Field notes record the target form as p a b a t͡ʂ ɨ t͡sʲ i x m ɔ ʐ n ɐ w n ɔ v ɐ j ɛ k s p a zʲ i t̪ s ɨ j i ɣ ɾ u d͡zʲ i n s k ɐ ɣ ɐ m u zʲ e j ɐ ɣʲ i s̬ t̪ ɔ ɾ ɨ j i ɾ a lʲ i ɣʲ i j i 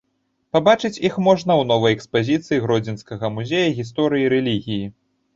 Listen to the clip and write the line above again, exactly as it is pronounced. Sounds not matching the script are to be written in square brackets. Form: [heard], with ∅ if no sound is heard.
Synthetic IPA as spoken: p a b a t͡ʂ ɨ t͡sʲ i x m ɔ ʐ n ɐ w n ɔ v ɐ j ɛ k s p a zʲ i t̪ s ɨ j i ɣ ɾ [ɔ] d͡zʲ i n s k ɐ ɣ ɐ m u zʲ e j ɐ ɣʲ i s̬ t̪ ɔ ɾ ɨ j i ɾ [ɛ] lʲ i ɣʲ i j i